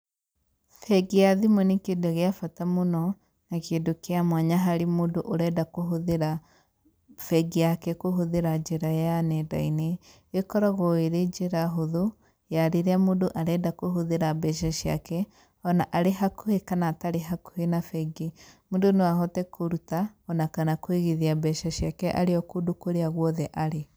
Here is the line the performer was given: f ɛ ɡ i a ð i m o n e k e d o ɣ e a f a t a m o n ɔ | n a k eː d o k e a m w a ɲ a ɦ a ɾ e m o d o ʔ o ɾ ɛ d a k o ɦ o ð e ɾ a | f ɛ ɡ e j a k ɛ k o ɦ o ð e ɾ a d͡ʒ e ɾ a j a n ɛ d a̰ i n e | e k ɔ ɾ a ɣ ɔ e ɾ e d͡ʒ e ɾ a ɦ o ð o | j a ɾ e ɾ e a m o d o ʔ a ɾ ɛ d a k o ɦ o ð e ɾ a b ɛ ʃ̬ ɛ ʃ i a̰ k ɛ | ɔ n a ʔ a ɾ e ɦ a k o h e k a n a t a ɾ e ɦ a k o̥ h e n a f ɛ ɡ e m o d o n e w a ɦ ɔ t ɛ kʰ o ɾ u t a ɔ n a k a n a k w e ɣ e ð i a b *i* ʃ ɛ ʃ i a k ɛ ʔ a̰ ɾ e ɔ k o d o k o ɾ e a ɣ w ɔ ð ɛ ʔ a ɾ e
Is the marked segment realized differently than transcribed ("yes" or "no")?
yes